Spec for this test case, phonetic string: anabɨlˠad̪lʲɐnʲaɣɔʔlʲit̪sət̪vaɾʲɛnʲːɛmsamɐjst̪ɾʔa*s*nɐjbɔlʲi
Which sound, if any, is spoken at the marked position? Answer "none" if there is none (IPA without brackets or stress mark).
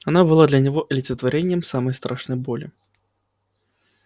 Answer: ʂ